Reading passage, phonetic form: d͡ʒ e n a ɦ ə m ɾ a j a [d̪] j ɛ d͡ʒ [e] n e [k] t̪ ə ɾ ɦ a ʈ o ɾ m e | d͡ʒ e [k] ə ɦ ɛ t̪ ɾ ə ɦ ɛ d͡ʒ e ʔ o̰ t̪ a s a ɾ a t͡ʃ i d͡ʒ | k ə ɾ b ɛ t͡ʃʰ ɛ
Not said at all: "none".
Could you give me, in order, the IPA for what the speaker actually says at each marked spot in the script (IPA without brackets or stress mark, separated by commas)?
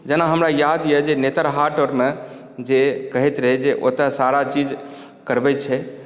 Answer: d̪, e, none, k